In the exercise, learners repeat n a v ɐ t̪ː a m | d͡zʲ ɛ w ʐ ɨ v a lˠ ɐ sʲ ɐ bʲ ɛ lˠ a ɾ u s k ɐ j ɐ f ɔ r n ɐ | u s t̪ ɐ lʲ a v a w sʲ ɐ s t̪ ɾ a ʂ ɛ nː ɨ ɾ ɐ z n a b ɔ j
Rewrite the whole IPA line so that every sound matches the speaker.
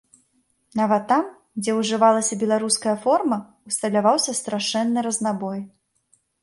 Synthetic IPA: n a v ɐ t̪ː a m | d͡zʲ ɛ w ʐ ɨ v a lˠ ɐ sʲ ɐ bʲ ɛ lˠ a ɾ u s k ɐ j ɐ f ɔ r m ɐ | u s t̪ ɐ lʲ a v a w sʲ ɐ s t̪ ɾ a ʂ ɛ nː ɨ ɾ ɐ z n a b ɔ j